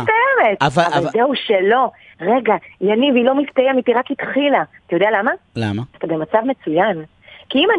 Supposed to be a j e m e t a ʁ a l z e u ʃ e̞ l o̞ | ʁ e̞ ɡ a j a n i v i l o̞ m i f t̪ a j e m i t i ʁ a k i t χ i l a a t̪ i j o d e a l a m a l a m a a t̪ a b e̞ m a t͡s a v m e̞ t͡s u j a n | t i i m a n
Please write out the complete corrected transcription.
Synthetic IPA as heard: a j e m e t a v a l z e u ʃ e̞ l o̞ | ʁ e̞ ɡ a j a n i v i l o̞ m i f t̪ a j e m i t i ʁ a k i t χ i l a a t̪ a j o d e a l a m a l a m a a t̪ a b e̞ m a t͡s a v m e̞ t͡s u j a n | k i i m a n